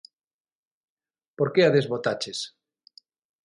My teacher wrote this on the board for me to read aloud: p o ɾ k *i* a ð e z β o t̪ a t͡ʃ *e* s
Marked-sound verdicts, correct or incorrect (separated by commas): incorrect, correct